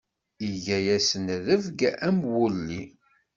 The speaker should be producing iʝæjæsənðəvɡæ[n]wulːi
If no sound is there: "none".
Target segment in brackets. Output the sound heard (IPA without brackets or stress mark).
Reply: m